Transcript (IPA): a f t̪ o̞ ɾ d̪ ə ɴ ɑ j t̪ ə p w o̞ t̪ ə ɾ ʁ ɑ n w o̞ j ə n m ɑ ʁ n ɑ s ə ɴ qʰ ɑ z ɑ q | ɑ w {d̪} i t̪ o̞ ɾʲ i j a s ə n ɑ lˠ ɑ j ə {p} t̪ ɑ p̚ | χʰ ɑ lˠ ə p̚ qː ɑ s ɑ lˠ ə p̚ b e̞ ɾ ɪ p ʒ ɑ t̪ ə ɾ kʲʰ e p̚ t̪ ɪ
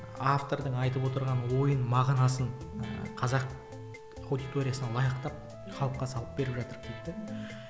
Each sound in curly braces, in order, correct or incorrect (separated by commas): correct, incorrect